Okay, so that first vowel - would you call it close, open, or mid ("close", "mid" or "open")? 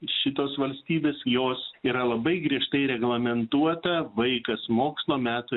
close